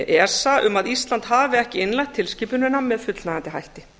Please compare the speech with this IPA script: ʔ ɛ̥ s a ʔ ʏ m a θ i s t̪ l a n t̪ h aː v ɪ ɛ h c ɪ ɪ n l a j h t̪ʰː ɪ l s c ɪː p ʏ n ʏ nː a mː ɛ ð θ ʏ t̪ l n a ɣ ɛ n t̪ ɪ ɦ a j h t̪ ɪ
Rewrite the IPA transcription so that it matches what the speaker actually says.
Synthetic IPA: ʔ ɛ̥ s a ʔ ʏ m a ð i s t̪ l a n t̪ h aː v ɪ ɛ h c ɪ ɪ n l a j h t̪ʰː ɪ l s c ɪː p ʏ n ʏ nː a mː ɛ ð f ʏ t̪ l n a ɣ a n t̪ ɪ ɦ a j h t̪ ɪ